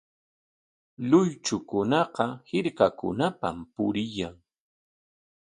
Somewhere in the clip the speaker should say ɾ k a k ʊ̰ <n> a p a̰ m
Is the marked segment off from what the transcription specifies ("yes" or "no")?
no